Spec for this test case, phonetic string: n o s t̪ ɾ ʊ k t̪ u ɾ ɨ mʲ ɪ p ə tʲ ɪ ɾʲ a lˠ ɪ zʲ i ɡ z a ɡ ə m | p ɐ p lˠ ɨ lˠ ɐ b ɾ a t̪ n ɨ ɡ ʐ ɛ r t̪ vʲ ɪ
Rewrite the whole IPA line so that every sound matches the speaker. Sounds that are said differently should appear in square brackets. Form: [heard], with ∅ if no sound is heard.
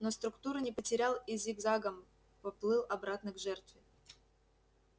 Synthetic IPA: n o s t̪ ɾ ʊ k t̪ u ɾ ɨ [nʲ] ɪ p ə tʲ ɪ ɾʲ a lˠ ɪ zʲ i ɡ z a ɡ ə m | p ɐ p lˠ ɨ lˠ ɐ b ɾ a t̪ n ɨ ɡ ʐ ɛ r t̪ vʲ ɪ